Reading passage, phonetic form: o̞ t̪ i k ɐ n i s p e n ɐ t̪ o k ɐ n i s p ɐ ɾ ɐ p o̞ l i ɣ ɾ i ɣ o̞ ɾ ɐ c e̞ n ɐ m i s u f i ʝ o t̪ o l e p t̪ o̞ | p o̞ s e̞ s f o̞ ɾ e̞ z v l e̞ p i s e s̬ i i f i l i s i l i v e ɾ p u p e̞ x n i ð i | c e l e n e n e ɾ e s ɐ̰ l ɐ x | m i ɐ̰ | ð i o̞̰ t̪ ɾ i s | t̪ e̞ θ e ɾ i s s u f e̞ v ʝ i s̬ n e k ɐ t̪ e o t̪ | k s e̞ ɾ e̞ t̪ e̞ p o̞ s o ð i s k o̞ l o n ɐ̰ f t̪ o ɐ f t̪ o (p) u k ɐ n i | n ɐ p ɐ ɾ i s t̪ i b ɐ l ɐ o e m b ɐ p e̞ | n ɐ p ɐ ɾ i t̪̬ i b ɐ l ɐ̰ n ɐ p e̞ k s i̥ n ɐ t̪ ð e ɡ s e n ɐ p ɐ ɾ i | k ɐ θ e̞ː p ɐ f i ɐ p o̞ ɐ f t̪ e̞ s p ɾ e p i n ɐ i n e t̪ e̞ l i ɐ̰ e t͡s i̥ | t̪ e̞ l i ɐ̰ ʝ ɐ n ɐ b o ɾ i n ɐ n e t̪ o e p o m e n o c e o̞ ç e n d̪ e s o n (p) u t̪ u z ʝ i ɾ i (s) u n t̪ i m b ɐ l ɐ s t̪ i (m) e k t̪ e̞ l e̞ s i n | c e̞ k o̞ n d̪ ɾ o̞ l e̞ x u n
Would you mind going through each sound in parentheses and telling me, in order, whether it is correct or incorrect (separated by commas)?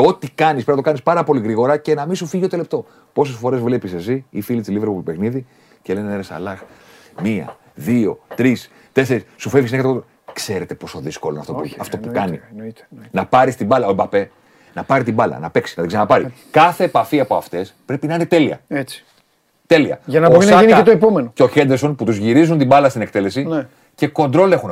correct, correct, incorrect, incorrect